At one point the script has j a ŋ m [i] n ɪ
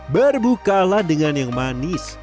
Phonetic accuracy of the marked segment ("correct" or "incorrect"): incorrect